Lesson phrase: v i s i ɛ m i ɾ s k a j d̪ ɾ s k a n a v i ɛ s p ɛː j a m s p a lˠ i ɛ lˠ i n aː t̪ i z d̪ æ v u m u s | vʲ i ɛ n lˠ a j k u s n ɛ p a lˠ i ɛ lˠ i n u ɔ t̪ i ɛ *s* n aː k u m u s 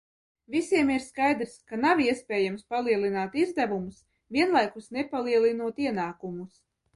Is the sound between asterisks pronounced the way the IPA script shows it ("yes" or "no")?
no